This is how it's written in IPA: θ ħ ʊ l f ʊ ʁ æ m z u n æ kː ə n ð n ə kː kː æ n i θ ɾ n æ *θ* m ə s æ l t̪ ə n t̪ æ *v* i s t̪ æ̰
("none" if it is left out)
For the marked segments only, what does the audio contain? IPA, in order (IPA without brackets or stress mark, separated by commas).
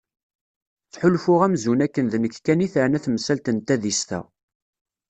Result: θ, ð